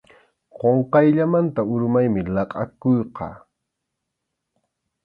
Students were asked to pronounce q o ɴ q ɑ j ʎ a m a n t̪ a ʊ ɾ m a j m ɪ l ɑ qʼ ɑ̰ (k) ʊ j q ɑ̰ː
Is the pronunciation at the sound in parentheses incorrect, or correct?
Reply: correct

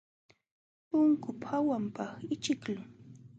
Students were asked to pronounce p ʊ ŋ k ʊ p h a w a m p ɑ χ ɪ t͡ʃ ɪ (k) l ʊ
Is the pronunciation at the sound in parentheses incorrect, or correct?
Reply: correct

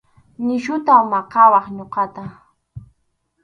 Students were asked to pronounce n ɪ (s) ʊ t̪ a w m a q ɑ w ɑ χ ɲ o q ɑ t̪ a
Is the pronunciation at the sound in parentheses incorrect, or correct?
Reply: incorrect: ʃ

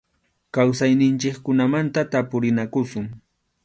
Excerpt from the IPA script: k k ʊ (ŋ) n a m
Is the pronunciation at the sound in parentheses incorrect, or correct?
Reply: incorrect: none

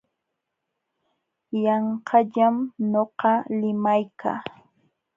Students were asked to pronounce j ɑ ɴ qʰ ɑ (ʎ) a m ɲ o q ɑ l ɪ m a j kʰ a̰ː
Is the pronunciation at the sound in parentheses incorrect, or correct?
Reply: correct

